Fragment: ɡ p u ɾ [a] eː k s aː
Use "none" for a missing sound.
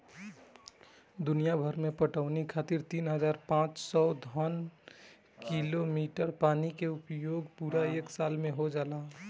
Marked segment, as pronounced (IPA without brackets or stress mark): a